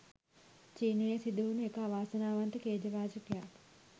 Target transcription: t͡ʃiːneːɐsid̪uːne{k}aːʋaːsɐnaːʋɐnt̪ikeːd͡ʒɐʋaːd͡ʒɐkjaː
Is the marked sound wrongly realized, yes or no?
no